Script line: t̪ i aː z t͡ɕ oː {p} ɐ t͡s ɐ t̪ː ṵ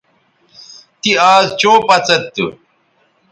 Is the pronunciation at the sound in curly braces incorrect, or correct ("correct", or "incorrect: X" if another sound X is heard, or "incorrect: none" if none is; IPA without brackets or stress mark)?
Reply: correct